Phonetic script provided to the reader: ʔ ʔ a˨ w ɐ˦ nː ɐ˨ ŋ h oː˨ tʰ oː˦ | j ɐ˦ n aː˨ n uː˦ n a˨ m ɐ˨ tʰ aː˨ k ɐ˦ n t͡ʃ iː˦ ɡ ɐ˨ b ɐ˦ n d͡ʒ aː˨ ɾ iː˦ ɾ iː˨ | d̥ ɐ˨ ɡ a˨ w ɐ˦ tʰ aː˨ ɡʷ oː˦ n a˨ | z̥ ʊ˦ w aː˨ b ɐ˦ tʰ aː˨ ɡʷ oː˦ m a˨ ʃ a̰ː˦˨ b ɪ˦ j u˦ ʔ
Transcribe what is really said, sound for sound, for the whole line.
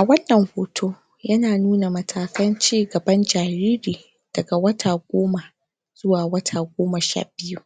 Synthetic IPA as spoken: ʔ ʔ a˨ w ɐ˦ nː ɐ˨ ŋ h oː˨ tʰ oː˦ | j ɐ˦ n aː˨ n uː˦ n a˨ m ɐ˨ tʰ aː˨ k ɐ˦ n t͡ʃ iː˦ ɡ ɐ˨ b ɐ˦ n d͡ʒ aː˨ ɾ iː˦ ɾ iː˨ | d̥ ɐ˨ ɡ a˨ w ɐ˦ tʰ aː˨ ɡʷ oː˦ m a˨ | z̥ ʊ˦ w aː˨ w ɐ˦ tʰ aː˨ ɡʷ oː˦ m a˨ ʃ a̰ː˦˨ b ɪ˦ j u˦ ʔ

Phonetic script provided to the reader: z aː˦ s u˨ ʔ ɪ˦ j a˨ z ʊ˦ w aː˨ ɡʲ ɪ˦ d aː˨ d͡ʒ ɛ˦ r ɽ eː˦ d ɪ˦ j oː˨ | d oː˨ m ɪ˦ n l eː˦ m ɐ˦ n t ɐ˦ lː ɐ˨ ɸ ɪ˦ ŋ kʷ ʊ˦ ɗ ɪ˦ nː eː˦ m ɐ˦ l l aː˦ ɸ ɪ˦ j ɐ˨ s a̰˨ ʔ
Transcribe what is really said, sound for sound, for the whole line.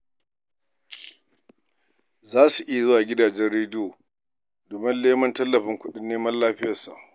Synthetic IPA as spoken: z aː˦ s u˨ ʔ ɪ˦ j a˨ z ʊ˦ w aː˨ ɡʲ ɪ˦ d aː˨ d͡ʒ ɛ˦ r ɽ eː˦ d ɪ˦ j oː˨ | d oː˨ m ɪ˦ n l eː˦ m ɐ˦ n t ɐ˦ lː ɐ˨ ɸ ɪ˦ ŋ kʷ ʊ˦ ɗ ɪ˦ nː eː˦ m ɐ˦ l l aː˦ ɸ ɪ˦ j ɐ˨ s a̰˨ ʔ

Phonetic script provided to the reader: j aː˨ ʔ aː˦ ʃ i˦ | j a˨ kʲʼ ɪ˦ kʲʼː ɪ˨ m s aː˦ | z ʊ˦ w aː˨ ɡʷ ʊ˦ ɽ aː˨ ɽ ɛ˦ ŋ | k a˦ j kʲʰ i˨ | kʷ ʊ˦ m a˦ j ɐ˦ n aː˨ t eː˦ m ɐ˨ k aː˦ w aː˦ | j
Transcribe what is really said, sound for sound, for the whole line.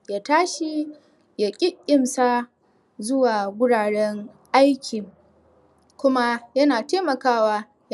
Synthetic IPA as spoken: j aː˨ t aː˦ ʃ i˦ | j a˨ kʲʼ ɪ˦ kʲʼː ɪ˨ m s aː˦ | z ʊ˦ w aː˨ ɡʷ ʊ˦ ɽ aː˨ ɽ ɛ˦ ŋ | ʔ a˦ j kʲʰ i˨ | kʷ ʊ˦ m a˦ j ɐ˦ n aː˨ t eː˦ m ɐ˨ k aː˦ w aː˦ | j

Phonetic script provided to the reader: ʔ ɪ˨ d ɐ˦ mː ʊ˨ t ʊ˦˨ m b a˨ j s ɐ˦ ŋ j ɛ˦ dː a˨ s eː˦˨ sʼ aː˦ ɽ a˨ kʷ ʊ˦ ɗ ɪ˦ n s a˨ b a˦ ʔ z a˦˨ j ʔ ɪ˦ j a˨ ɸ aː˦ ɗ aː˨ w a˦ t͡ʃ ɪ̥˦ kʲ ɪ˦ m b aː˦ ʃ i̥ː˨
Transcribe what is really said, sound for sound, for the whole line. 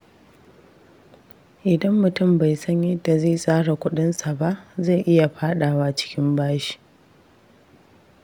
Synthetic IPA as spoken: ʔ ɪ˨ d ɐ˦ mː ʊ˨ t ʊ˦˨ m b a˨ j s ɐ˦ ɲ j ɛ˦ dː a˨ z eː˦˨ sʼ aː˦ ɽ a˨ kʷ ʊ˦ ɗ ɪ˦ n s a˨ b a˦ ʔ z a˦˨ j ʔ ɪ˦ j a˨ ɸ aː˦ ɗ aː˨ w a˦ t͡ʃ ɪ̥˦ kʲ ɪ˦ m b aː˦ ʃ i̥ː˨

